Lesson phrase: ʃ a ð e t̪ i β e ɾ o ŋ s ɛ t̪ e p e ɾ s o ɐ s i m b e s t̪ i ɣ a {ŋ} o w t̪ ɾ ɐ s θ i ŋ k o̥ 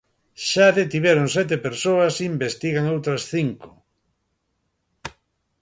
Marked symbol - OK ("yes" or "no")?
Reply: yes